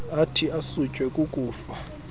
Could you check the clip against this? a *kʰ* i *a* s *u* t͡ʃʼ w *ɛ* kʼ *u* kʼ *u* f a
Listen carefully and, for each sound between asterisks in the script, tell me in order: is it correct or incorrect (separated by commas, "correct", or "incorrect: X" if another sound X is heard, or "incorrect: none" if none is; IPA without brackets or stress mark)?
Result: incorrect: tʰ, correct, correct, correct, correct, incorrect: uː